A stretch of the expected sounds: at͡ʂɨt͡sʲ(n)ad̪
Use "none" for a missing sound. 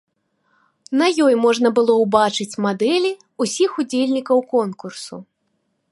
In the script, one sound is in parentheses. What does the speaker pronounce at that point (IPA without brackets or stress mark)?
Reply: m